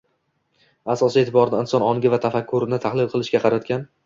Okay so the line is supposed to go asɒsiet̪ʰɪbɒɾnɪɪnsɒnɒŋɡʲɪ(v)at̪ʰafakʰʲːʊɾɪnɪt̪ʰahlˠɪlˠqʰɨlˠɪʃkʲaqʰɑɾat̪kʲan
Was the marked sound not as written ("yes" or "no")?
no